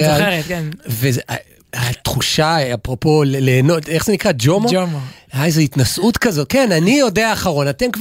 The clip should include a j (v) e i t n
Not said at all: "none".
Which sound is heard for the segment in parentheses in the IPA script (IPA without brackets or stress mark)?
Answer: z